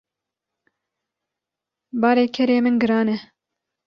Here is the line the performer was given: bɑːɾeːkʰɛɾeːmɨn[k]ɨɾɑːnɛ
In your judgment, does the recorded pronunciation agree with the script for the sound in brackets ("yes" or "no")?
no